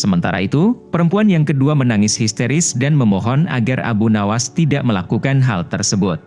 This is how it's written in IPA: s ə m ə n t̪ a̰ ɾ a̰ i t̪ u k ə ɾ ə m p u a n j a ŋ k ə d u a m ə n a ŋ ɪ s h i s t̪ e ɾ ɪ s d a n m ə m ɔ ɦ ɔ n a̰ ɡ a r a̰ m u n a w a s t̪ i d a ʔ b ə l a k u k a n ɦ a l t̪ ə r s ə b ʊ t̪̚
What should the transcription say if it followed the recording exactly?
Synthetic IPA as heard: s ə m ə n t̪ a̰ ɾ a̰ i t̪ u p ə ɾ ə m p u a n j a ŋ k ə d u a m ə n a ŋ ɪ s h i s t̪ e ɾ ɪ s d a n m ə m ɔ ɦ ɔ n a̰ ɡ a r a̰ b u n a w a s t̪ i d a ʔ m ə l a k u k a n ɦ a l t̪ ə r s ə b ʊ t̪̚